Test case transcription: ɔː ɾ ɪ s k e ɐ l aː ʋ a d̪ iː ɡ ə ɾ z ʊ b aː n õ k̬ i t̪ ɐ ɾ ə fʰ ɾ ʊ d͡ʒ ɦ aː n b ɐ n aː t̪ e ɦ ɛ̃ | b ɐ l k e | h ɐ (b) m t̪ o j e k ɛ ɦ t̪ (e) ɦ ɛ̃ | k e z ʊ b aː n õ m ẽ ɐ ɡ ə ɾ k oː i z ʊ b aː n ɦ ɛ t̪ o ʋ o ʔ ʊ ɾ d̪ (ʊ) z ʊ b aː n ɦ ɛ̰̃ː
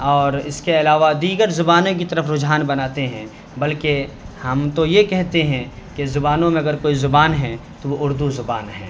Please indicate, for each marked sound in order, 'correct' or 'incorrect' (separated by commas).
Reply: incorrect, correct, incorrect